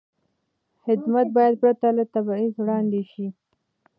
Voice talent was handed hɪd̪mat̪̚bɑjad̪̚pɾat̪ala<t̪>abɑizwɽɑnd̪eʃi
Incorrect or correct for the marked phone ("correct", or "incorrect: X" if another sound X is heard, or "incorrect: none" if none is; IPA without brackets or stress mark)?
correct